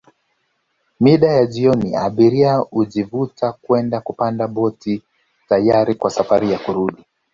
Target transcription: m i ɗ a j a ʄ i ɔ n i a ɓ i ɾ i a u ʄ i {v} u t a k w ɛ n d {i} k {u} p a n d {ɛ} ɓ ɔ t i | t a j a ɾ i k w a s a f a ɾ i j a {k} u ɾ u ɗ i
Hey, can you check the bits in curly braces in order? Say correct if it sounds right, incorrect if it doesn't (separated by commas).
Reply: correct, incorrect, correct, incorrect, correct